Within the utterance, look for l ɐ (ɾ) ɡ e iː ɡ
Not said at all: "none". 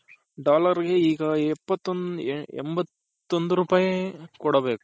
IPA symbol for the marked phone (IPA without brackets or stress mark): ɾ